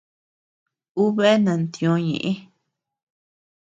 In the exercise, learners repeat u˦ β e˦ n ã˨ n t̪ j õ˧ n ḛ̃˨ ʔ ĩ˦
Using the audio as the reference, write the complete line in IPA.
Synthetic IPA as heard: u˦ β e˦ n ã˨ n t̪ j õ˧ ɲ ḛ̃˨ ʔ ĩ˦

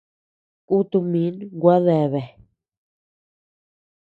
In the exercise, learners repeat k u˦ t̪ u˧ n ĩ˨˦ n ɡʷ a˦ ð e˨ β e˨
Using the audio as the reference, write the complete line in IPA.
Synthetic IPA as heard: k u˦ t̪ u˧ m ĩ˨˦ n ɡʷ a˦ ð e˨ β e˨

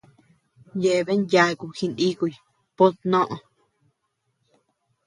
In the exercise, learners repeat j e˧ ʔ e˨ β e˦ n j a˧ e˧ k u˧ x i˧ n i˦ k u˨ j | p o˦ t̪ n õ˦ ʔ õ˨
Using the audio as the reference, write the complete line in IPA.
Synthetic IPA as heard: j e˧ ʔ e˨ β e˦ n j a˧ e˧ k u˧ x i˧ n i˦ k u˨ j | p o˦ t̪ n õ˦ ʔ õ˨

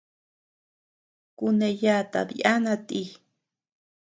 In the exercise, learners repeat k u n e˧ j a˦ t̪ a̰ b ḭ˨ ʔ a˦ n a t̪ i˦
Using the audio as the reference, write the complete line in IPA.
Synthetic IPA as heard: k u n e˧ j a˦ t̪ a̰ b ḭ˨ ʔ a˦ n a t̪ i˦

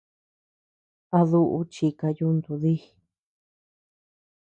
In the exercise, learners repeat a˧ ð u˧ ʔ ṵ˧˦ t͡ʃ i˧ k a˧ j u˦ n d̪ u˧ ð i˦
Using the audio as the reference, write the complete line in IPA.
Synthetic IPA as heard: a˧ ð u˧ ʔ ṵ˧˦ t͡ʃ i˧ k a˧ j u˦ n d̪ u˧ ð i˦

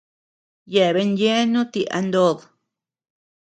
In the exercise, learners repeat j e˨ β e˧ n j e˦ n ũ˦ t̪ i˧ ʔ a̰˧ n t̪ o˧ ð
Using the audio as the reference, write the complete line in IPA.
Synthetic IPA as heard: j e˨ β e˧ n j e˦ n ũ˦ t̪ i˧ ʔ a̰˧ n d̪ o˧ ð

